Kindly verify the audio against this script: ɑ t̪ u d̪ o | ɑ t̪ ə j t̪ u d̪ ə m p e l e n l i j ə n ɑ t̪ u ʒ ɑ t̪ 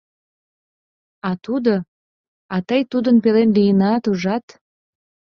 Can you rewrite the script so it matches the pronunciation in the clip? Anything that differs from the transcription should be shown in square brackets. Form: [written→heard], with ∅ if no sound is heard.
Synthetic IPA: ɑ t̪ u d̪ o | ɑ t̪ ə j t̪ u d̪ ə [m→n] p e l e n l i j ə n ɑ t̪ u ʒ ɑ t̪